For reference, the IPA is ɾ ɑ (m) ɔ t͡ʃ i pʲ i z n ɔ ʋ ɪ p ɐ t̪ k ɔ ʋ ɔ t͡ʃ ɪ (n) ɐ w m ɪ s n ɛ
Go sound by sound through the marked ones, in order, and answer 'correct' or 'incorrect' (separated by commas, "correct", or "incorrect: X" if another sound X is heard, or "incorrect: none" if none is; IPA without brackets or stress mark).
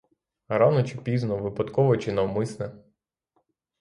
incorrect: n, correct